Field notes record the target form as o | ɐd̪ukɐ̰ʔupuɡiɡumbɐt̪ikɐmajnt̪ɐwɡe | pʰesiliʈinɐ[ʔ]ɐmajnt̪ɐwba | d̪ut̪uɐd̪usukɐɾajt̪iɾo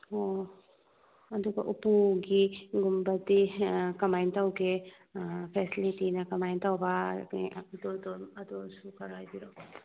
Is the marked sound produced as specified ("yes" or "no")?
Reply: no